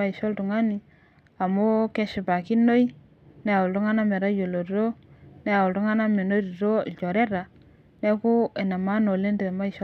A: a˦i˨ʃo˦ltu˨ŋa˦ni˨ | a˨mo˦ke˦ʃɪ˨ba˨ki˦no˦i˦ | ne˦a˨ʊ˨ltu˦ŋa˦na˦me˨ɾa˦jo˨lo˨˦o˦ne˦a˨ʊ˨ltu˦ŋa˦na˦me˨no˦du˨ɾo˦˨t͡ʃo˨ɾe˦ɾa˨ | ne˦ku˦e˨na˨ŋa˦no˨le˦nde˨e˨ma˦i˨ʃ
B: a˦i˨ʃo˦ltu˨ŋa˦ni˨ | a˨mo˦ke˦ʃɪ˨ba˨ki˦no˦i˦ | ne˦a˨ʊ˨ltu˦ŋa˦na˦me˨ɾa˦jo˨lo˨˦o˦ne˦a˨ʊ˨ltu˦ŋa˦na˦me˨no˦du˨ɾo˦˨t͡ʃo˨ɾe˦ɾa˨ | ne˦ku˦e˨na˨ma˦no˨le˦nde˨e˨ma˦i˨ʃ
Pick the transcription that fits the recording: B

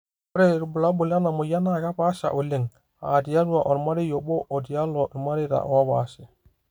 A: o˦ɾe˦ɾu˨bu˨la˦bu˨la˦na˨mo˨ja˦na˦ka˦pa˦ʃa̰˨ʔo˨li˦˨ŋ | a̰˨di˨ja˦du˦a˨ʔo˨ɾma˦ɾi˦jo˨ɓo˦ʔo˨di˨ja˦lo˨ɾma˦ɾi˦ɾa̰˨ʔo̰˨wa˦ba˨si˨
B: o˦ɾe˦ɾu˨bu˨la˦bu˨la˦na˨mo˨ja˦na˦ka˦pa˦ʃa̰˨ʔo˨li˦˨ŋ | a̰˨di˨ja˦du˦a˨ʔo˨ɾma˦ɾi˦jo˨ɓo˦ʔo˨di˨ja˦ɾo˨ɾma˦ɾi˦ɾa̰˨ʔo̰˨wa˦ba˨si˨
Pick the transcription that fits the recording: A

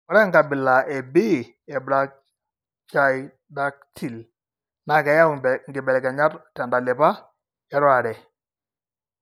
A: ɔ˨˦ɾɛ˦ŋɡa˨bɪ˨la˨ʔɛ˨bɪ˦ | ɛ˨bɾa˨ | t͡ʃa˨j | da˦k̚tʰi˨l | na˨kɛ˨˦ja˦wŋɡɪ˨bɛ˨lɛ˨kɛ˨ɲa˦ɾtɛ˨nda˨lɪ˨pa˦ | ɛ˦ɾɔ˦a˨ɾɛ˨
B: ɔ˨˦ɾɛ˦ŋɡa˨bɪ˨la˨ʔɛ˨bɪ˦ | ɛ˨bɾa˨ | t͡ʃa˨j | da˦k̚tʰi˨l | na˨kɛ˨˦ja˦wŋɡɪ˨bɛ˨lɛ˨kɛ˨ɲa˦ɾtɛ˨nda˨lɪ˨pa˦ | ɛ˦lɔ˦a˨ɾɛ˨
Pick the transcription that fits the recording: A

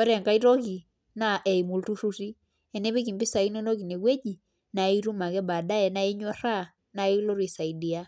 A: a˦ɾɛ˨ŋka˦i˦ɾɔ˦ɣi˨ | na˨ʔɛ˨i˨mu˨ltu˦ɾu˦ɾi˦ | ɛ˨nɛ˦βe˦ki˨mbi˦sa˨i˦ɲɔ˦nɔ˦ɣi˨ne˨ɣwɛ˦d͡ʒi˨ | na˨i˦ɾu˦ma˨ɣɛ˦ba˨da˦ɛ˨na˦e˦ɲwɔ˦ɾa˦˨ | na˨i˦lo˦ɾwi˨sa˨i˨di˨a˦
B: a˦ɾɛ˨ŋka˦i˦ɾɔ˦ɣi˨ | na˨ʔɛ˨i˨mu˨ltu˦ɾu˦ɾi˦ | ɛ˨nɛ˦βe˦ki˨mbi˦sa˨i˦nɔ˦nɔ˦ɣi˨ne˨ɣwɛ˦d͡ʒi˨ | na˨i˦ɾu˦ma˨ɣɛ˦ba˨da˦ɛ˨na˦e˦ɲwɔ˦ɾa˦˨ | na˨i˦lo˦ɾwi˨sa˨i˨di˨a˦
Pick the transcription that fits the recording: B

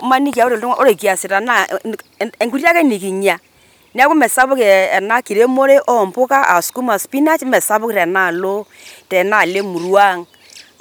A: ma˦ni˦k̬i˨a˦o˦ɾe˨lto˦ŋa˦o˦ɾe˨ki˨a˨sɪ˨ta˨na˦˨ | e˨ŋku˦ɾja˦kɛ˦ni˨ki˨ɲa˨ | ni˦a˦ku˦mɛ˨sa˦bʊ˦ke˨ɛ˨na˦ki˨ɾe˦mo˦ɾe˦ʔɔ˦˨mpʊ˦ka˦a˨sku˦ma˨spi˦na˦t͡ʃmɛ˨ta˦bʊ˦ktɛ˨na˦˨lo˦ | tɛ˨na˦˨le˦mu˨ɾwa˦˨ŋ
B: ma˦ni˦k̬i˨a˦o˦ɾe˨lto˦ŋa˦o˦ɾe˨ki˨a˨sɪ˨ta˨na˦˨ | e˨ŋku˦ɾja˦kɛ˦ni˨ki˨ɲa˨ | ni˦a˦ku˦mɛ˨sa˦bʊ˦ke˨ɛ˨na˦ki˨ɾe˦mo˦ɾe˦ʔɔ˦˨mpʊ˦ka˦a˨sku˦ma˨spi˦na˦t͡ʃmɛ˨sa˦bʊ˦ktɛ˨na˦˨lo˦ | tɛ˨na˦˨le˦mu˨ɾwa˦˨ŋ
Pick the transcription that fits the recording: B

